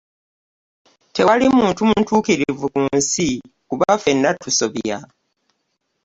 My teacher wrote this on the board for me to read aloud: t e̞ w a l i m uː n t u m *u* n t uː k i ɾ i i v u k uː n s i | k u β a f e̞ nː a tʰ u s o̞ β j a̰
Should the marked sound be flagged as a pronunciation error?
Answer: no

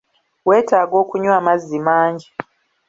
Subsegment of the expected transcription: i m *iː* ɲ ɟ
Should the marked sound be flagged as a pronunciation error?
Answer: yes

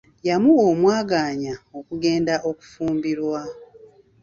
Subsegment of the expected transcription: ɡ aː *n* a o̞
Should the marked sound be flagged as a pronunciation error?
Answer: yes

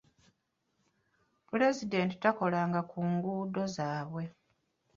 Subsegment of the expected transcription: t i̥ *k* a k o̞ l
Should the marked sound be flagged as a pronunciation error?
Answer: yes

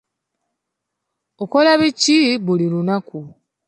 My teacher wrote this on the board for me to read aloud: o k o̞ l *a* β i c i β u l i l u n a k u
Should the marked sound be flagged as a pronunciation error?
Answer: no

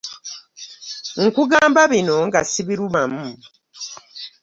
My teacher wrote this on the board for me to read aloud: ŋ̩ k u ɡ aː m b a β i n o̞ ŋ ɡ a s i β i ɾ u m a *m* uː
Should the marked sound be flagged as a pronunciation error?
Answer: no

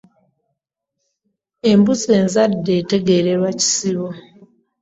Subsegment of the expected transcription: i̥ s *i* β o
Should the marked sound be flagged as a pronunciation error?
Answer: no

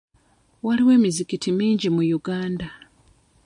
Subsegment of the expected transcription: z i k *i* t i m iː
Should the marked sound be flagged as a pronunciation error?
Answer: no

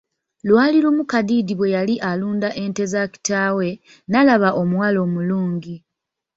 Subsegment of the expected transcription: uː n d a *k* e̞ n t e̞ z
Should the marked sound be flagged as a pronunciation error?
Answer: yes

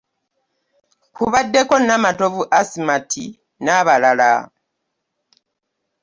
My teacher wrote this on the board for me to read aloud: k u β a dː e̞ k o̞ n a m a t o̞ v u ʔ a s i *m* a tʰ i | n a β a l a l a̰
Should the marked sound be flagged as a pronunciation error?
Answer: no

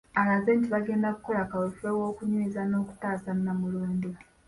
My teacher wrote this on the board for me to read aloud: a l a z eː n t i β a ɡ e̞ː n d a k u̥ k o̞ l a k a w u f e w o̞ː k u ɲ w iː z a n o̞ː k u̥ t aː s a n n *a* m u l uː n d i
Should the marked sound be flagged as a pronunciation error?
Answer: no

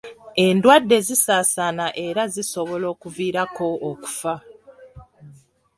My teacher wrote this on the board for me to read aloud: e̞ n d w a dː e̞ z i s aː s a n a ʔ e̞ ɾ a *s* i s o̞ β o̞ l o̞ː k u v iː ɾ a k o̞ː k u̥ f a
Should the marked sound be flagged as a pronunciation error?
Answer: yes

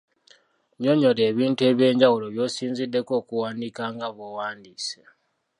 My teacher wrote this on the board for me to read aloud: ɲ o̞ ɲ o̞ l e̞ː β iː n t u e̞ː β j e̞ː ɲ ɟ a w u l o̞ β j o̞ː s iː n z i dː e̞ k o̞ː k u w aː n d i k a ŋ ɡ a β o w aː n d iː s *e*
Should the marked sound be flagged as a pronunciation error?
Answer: no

